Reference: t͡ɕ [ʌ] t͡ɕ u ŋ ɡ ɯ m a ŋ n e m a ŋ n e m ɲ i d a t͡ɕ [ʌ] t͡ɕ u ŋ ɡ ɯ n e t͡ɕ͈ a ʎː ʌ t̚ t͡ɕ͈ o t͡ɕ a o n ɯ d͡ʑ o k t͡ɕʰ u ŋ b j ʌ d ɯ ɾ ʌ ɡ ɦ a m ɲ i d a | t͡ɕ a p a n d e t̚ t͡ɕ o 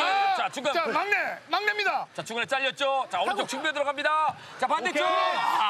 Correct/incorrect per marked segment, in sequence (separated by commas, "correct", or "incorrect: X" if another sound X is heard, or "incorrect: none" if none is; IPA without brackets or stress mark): incorrect: a, incorrect: a